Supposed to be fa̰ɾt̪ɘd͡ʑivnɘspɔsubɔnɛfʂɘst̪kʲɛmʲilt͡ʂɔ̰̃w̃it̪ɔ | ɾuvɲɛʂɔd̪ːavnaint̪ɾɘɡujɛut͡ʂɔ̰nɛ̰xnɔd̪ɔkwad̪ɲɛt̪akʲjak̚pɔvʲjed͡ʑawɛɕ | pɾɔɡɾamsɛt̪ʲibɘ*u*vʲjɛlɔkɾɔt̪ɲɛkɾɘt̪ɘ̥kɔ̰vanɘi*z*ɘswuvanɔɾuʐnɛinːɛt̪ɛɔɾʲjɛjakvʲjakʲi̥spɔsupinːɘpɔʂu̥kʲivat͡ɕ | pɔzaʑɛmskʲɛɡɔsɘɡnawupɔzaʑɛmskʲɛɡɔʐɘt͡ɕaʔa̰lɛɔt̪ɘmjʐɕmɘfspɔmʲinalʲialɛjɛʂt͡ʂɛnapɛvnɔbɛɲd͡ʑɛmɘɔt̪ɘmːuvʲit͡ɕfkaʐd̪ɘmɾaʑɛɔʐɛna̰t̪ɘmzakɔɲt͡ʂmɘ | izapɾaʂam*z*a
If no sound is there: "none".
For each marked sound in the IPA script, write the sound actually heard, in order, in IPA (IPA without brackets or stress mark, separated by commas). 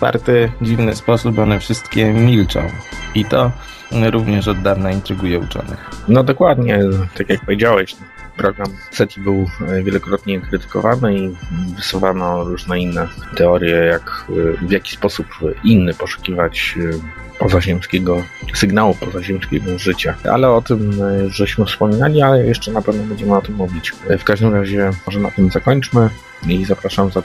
w, v, z